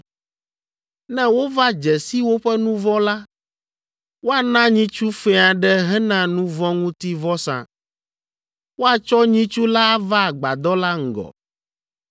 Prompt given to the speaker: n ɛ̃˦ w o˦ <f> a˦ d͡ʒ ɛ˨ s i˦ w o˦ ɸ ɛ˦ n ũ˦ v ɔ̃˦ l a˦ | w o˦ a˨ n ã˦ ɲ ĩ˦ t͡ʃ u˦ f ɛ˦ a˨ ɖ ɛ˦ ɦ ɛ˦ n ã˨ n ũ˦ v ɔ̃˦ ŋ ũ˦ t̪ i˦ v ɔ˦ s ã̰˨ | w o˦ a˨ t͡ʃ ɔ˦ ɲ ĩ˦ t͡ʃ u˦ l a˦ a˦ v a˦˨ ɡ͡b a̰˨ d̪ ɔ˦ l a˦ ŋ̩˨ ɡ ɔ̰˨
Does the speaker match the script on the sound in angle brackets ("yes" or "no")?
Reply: no